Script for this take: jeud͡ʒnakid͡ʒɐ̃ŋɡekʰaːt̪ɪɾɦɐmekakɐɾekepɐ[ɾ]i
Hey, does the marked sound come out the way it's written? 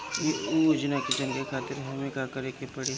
no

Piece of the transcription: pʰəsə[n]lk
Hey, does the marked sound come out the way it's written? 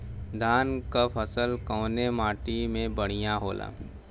no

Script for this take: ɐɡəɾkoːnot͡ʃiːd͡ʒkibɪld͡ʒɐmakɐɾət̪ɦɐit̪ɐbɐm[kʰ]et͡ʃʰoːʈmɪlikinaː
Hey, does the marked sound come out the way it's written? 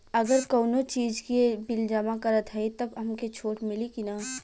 no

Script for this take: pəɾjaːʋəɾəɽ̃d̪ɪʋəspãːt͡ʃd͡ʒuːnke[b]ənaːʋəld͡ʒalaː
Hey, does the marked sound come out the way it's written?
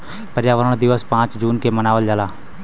no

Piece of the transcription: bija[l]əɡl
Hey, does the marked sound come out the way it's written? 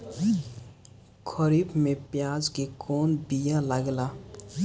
yes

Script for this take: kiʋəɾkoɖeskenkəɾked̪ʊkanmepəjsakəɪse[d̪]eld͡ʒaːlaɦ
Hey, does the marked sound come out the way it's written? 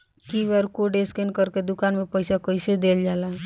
yes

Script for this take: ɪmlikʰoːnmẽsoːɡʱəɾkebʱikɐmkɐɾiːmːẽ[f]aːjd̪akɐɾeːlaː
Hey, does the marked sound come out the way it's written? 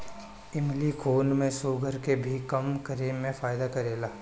yes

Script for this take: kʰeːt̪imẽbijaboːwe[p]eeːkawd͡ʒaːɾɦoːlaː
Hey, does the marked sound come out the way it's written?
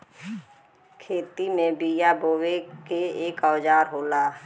no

